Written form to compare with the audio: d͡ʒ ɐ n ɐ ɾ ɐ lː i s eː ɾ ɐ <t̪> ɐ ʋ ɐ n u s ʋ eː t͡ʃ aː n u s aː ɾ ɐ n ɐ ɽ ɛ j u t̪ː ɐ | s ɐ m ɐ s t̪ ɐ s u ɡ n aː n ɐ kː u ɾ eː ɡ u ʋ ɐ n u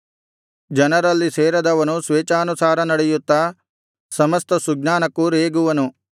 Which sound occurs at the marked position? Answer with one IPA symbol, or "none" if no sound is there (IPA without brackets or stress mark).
d̪